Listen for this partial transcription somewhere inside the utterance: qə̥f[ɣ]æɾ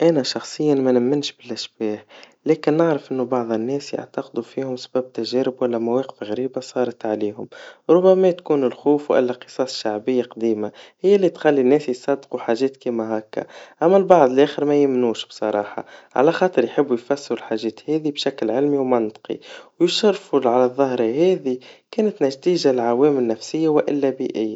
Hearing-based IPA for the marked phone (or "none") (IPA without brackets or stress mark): ɣ